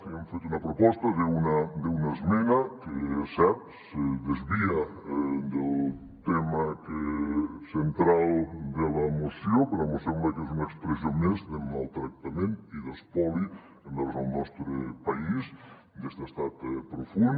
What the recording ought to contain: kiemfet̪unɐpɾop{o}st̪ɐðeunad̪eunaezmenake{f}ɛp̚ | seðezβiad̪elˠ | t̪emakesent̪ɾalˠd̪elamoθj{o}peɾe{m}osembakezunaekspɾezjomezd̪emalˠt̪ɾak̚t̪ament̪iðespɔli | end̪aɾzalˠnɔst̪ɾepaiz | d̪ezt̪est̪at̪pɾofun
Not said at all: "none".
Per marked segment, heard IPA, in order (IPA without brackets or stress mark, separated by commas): ɔ, s, o, m